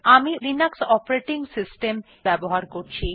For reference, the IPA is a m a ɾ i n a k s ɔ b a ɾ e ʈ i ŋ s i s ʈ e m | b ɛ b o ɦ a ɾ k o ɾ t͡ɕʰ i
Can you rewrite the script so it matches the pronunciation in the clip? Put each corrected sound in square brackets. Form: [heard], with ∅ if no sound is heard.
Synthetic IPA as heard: a m [i] ɾ i n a k s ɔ [p] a ɾ e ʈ i ŋ s i s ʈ e m | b ɛ b o ɦ a ɾ k o ɾ t͡ɕʰ i